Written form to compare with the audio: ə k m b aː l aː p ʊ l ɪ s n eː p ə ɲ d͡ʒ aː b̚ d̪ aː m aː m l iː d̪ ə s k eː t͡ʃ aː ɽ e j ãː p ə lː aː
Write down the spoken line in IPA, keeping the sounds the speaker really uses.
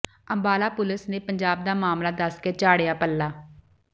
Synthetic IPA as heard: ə m b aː l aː p ʊ l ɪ s n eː p ə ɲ d͡ʒ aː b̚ d̪ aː m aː m l aː d̪ ə s k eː t͡ʃ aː ɽ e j aː p ə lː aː